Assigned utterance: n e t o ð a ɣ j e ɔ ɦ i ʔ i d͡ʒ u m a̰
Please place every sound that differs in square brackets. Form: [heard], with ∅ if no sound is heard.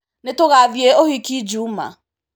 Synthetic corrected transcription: n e t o [ɣ] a [v] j e [o] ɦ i [k] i d͡ʒ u m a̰